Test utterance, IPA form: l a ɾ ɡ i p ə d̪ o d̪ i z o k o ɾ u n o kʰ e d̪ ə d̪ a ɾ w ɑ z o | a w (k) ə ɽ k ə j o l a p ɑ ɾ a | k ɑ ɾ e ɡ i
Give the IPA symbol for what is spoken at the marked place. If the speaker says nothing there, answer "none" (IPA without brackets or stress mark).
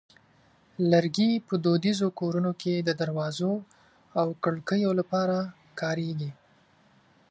k